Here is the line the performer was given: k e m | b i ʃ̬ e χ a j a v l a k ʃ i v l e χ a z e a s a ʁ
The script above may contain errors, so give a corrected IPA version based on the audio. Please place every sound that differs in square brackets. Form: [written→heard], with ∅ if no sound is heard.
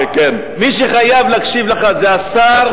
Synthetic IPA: k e [m→n] | [b→m] i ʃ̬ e χ a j a v l a k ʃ i v l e χ a z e a s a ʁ